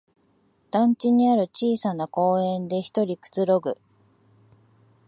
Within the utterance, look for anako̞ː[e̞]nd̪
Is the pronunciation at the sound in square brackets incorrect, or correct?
incorrect